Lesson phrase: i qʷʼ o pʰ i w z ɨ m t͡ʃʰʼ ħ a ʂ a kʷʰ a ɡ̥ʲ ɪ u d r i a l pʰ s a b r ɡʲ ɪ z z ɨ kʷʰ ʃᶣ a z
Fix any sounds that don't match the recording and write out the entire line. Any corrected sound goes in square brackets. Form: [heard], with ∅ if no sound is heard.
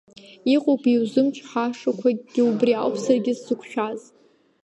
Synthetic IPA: i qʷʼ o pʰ i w z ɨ m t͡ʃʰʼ ħ a ʂ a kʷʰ a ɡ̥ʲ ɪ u [b] r i a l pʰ s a [∅] r ɡʲ ɪ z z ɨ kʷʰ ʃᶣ a z

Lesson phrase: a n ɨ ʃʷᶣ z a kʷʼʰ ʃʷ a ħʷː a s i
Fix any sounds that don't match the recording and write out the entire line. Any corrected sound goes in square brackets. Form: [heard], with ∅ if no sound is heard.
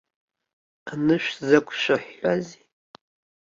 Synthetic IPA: a n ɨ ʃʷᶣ z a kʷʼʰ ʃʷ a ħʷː a [z] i

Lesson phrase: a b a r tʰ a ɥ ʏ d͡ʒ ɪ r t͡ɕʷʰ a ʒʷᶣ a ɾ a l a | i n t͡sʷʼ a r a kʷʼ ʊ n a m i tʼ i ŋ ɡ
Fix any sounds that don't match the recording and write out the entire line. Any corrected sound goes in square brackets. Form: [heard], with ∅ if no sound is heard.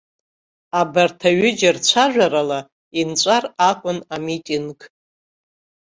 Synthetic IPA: a b a r tʰ a ɥ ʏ d͡ʒ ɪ r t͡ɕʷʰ a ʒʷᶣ a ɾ a l a | i n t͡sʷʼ a r a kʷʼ ʊ n a m i tʼ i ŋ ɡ

